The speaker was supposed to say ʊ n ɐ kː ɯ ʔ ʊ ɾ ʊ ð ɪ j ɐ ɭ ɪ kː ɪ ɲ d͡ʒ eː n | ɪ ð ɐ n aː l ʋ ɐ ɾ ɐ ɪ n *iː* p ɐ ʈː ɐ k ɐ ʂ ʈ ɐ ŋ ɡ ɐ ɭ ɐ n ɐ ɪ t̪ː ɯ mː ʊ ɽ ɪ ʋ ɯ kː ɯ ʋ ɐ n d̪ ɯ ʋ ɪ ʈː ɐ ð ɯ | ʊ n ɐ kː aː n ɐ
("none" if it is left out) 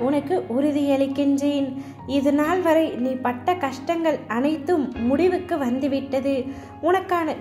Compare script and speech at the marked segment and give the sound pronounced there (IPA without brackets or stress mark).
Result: iː